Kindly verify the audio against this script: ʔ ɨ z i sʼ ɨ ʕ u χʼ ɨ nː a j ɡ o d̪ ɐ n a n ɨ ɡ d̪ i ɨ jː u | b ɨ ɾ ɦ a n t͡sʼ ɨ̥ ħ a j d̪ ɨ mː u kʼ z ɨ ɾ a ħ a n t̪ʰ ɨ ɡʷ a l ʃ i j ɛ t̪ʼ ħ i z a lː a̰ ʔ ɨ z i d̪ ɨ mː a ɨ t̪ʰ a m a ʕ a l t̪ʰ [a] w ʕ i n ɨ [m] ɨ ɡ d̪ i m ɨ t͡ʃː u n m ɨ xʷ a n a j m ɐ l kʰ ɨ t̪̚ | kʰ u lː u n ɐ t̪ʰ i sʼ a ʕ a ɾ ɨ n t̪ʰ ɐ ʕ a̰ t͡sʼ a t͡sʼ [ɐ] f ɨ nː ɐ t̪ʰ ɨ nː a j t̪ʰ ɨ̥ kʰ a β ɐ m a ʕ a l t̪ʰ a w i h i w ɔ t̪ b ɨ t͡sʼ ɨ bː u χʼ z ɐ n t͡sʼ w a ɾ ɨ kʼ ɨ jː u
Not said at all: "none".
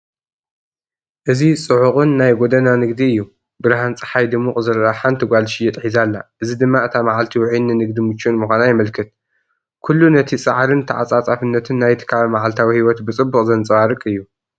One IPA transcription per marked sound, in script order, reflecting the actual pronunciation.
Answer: i, n, a

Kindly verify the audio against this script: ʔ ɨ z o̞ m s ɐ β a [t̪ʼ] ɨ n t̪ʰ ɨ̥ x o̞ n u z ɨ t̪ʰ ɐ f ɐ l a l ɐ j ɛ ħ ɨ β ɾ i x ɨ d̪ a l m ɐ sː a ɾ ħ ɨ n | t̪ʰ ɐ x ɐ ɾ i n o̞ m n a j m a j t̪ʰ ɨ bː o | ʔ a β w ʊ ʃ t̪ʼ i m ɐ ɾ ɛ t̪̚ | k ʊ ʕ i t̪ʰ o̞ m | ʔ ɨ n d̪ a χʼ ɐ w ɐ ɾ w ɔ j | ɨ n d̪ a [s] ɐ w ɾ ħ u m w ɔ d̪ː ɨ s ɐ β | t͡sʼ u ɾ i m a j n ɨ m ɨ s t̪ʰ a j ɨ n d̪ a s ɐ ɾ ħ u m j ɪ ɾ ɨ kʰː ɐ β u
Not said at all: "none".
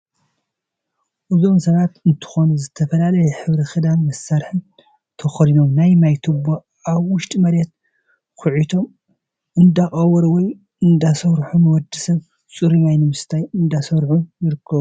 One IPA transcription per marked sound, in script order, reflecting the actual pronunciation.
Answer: t̪, s

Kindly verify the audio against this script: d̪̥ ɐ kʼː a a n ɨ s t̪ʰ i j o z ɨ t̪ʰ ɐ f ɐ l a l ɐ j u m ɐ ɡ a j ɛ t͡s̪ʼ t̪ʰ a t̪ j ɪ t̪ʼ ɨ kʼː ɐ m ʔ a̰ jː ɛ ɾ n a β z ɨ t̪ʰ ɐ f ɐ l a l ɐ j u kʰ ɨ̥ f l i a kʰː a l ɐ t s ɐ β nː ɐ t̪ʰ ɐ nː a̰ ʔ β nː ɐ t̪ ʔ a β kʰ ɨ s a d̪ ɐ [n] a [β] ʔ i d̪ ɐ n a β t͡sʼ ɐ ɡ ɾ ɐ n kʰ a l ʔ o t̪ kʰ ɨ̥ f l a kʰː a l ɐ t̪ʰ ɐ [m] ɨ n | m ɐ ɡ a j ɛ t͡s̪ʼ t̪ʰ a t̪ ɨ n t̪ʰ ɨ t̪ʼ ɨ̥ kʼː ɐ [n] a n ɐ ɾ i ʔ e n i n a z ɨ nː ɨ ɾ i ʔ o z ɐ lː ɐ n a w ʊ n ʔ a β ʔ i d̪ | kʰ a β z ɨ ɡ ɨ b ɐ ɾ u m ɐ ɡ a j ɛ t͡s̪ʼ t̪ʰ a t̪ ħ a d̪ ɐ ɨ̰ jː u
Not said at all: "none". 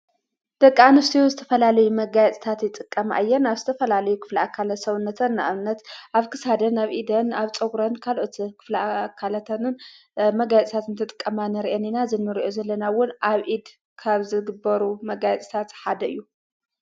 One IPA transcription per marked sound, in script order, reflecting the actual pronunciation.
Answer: n, β, n, m

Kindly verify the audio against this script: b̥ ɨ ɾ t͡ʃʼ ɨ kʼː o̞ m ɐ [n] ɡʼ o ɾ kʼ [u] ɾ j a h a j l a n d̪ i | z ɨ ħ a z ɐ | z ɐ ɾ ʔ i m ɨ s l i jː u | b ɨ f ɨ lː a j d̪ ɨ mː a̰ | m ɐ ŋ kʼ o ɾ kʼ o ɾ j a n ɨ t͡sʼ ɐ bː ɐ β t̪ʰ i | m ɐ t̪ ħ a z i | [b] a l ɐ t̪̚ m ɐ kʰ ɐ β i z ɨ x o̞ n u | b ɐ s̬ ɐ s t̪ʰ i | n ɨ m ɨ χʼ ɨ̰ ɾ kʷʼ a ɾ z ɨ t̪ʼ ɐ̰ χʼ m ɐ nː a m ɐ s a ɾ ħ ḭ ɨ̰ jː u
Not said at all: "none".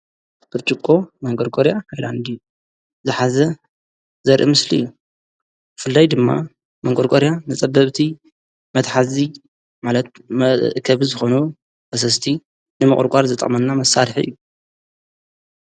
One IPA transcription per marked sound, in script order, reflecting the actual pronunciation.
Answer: ŋ, o, m

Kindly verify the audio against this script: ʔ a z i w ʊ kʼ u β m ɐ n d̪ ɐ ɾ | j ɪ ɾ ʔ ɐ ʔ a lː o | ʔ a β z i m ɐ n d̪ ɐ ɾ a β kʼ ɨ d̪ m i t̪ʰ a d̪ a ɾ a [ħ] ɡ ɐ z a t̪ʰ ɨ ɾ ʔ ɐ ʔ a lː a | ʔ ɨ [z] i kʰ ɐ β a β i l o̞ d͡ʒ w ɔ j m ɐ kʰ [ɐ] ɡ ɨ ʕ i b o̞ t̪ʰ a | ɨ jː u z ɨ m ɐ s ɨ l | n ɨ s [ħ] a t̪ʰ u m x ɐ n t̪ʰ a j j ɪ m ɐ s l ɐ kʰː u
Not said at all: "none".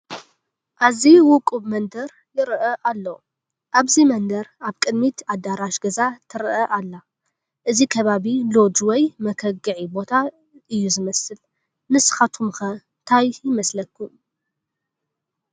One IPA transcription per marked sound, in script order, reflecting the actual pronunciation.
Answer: ʃ, z, ɐ, x

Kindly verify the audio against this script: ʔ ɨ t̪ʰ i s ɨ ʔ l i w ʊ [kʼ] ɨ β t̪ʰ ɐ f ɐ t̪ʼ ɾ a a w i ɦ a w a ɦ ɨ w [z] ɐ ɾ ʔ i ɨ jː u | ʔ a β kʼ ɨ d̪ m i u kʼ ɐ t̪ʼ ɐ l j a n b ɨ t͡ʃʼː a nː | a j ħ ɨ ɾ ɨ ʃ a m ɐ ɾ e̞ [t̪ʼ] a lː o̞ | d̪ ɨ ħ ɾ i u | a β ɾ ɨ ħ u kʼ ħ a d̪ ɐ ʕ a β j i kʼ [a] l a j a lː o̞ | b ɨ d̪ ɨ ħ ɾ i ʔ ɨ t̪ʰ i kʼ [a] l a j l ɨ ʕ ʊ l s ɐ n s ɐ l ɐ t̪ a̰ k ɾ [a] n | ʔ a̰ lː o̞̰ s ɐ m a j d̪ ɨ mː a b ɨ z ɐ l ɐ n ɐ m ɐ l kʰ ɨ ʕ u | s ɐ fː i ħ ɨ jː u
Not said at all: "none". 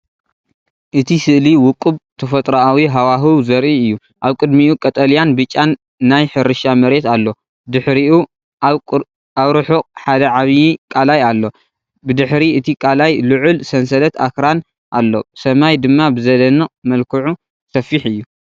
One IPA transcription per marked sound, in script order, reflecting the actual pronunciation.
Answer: kʼ, z, t̪, a, a, a

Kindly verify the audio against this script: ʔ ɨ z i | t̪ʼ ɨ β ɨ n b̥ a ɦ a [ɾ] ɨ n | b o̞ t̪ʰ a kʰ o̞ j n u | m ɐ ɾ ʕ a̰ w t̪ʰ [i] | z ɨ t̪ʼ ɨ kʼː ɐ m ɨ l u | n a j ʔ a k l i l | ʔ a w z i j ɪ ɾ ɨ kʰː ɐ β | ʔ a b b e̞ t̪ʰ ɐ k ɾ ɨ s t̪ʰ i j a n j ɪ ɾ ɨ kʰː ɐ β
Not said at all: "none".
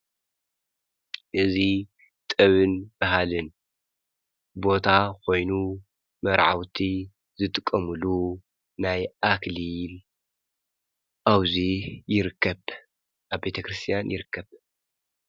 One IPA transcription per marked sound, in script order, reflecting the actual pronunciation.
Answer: l, i

